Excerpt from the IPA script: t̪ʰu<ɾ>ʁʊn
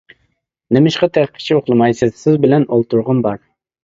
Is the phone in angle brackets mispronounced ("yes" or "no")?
no